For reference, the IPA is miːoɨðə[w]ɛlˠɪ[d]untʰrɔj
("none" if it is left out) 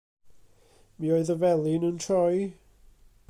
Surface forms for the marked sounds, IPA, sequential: v, n

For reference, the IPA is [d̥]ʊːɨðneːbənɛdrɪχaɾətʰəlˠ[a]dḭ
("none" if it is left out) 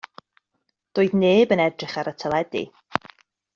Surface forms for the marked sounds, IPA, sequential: d̥, ɛ

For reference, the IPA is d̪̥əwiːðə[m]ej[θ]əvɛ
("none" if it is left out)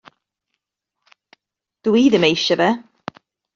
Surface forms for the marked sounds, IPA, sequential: m, ʃ

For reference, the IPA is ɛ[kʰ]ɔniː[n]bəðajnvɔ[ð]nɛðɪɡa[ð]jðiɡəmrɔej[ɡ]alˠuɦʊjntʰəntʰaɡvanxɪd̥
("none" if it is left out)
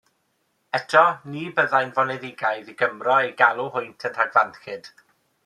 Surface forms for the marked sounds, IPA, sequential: tʰ, none, none, none, ɡ

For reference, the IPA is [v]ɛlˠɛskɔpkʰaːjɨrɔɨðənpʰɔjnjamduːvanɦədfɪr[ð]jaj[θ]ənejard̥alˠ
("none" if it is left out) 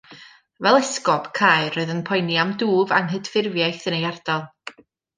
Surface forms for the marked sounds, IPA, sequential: v, v, θ

